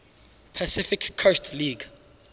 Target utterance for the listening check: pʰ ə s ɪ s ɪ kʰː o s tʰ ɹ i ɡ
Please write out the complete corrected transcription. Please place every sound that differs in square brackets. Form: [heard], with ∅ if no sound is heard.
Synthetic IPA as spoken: pʰ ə s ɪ [f] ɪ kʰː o s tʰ [l] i ɡ